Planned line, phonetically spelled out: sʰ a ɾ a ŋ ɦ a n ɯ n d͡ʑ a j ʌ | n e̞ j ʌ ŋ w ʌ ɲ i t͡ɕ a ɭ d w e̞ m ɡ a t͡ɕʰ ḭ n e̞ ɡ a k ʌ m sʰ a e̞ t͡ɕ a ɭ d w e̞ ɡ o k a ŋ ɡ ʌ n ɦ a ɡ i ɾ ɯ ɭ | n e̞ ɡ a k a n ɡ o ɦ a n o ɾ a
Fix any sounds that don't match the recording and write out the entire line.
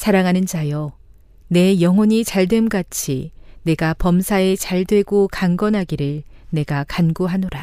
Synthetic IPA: sʰ a ɾ a ŋ ɦ a n ɯ n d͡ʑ a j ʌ | n e̞ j ʌ ŋ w ʌ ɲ i t͡ɕ a ɭ d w e̞ m ɡ a t͡ɕʰ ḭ n e̞ ɡ a p ʌ m sʰ a e̞ t͡ɕ a ɭ d w e̞ ɡ o k a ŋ ɡ ʌ n ɦ a ɡ i ɾ ɯ ɭ | n e̞ ɡ a k a n ɡ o ɦ a n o ɾ a